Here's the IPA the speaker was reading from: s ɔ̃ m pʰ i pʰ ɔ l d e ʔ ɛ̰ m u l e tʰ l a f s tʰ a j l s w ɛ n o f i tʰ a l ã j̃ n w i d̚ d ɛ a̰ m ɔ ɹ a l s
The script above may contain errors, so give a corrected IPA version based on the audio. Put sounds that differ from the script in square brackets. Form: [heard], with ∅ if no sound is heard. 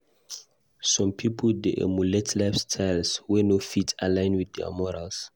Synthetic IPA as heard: s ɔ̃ m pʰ i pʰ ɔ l d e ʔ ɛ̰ m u l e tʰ l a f s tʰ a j l s w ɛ n o f i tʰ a l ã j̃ n w i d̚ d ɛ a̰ m ɔ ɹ a l s